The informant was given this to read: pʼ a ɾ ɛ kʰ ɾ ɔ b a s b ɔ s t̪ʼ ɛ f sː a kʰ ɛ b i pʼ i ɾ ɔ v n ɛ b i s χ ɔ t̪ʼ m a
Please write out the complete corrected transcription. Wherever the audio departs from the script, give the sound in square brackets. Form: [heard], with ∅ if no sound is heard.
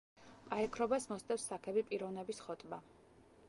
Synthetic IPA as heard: pʼ a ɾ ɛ kʰ ɾ ɔ b a s [m] ɔ s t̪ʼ ɛ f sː a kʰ ɛ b i pʼ i ɾ ɔ v n ɛ b i s χ ɔ t̪ʼ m a